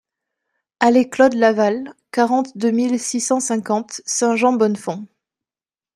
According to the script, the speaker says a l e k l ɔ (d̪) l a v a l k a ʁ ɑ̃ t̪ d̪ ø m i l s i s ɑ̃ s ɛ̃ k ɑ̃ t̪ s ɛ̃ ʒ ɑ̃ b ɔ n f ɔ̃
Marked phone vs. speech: correct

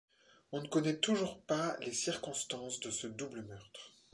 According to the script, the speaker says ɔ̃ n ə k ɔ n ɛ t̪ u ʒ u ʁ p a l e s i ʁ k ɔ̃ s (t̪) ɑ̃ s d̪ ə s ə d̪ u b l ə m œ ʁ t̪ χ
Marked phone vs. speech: correct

